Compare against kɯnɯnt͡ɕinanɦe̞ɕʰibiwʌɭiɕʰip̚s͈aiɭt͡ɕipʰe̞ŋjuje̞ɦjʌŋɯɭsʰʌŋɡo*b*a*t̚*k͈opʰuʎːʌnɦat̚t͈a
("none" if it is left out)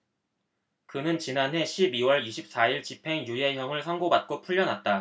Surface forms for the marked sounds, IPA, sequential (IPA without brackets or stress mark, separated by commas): b, t̚